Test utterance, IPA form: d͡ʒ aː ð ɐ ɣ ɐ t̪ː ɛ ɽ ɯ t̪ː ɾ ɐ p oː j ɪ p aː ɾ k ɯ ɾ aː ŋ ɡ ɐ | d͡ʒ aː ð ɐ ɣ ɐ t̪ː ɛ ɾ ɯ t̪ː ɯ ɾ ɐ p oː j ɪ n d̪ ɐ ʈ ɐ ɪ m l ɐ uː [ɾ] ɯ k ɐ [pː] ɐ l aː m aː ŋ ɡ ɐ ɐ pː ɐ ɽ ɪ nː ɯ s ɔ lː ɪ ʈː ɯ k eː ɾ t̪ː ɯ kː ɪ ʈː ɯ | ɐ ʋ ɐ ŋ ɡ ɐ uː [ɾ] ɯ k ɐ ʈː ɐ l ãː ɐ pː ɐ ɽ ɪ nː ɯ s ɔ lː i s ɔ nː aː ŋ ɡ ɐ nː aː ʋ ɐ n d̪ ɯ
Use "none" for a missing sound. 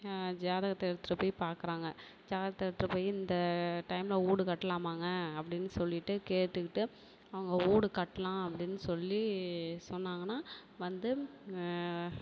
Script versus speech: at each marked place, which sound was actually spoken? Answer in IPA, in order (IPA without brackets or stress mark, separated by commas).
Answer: ɽ, ʈː, ɽ